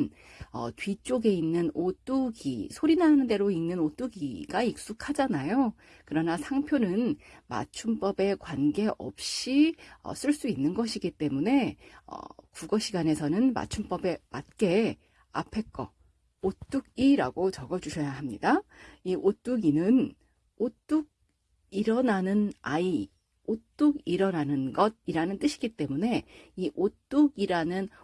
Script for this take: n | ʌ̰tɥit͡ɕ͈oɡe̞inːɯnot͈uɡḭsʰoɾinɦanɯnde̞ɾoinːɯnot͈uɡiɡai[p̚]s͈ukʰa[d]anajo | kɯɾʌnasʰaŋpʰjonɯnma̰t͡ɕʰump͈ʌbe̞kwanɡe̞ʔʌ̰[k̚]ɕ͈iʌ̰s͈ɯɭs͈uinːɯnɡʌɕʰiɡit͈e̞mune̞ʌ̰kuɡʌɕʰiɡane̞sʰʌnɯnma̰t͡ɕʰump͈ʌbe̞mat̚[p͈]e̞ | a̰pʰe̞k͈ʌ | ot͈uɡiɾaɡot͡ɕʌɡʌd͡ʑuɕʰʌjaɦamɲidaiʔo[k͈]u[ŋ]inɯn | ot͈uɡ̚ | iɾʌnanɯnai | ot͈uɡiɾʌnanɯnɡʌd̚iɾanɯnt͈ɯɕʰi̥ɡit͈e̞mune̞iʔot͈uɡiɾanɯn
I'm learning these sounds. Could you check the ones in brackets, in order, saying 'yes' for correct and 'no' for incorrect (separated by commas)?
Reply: no, no, no, no, no, no